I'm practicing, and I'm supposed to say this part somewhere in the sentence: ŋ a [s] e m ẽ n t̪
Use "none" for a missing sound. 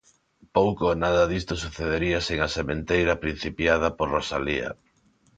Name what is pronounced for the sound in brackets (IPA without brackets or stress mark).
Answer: s